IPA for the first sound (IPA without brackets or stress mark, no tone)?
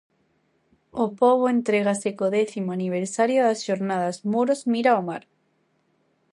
o